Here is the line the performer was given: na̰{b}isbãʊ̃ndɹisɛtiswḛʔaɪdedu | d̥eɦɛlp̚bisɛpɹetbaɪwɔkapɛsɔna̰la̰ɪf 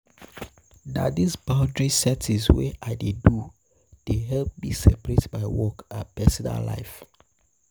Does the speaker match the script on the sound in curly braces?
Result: no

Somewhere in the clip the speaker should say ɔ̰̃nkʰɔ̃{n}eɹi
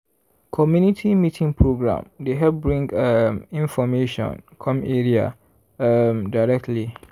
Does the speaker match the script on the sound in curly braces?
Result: no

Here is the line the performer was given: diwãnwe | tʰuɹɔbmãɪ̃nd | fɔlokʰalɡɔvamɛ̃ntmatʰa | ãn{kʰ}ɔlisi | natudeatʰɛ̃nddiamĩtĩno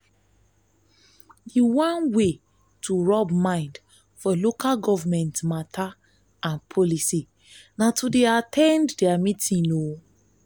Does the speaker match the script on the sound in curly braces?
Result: no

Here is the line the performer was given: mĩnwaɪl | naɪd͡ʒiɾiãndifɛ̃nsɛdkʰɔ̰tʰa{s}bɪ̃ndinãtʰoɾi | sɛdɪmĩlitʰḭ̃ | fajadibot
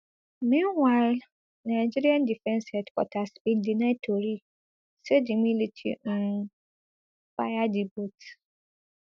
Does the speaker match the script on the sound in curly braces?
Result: yes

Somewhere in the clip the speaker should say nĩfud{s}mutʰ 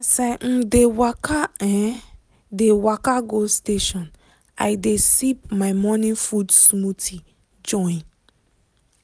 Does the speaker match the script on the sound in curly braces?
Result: yes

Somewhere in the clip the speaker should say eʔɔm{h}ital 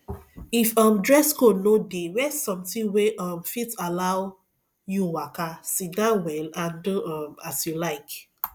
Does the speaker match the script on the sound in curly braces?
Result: no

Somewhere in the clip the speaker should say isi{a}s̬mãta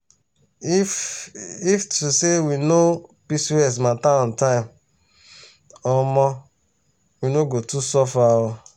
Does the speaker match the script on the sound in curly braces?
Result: no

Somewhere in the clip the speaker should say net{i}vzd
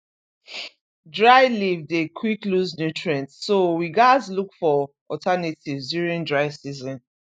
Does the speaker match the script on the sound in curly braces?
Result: yes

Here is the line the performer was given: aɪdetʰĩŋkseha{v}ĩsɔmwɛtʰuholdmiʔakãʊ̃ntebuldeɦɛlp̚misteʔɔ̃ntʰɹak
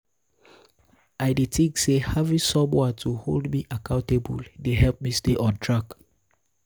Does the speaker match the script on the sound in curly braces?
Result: yes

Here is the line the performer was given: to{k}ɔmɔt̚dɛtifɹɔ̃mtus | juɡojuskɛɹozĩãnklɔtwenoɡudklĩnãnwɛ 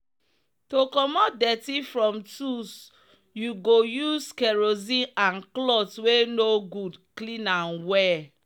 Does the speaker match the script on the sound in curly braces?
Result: yes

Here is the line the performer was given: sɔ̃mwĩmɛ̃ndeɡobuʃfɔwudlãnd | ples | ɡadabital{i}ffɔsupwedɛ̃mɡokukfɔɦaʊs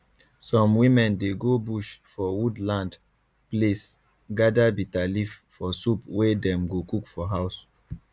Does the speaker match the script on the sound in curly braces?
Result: yes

